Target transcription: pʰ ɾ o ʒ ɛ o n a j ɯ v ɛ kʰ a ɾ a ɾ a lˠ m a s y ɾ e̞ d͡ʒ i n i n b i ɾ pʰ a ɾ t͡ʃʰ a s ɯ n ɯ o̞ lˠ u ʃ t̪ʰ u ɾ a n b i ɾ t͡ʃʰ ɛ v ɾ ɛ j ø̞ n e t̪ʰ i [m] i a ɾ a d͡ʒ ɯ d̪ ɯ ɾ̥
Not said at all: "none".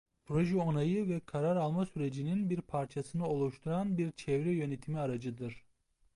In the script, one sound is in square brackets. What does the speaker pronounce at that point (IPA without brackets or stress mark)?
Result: m